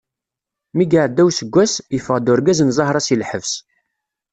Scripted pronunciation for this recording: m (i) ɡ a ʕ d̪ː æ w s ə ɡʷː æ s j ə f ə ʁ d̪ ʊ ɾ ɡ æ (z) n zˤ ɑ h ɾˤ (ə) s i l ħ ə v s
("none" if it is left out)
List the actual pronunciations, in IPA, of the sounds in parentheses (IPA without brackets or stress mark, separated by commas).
i, z, ɑ